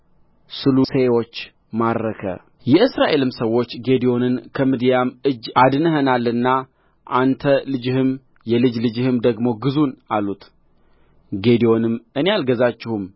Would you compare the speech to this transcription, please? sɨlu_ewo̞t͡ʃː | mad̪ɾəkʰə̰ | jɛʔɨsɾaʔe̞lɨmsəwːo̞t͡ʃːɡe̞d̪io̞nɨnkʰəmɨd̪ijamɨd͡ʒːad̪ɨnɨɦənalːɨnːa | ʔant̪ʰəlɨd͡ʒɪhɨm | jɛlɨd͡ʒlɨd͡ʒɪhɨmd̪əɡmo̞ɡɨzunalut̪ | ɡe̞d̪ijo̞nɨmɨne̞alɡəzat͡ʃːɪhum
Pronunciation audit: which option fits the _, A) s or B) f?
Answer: A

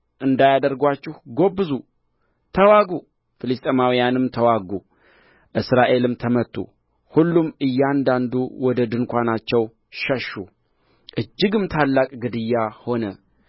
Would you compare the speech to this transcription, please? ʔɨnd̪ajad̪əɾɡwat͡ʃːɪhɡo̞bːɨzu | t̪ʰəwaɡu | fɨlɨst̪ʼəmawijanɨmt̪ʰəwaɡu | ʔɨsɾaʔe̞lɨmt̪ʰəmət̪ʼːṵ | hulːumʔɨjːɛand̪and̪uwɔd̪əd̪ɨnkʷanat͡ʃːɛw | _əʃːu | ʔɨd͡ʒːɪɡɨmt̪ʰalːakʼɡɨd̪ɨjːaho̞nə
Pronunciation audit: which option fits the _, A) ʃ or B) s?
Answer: A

